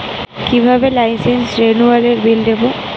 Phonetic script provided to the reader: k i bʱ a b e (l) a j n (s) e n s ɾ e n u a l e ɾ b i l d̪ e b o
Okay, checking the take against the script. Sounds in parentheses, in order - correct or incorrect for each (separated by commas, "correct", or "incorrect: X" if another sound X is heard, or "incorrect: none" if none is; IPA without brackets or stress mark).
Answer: correct, correct